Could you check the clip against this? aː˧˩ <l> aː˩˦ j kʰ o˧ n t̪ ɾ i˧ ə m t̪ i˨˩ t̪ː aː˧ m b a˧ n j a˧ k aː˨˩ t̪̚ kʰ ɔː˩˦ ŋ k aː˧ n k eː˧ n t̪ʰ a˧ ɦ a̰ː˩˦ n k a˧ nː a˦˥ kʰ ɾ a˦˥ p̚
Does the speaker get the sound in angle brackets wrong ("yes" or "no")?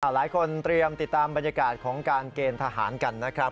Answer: no